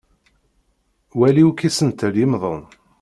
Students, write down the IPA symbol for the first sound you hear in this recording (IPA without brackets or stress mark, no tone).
w